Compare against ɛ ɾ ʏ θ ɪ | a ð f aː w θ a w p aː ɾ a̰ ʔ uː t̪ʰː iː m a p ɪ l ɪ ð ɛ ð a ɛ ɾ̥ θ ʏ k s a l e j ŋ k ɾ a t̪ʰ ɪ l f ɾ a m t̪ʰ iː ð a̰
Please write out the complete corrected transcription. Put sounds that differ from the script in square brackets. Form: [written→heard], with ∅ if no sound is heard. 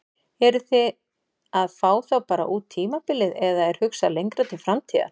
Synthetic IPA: ɛ ɾ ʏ θ ɪ | a ð f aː w θ a w p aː ɾ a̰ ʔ uː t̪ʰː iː m a p ɪ l ɪ ð ɛ ð a ɛ ɾ̥ [θ→h] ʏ k s a l e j ŋ k ɾ a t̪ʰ ɪ l f ɾ a m t̪ʰ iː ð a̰